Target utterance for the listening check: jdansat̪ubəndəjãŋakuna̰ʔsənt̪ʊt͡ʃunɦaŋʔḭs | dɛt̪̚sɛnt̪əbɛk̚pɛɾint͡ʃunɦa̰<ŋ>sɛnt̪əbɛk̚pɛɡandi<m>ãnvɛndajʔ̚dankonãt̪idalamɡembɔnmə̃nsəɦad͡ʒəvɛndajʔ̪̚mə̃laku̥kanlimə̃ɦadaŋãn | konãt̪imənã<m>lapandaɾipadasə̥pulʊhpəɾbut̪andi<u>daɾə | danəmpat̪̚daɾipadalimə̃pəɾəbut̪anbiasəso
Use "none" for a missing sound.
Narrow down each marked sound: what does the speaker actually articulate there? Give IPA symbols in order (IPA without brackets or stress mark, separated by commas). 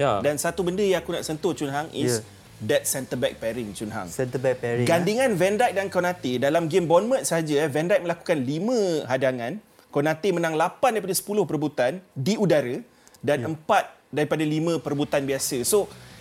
ŋ, ŋ, ŋ, u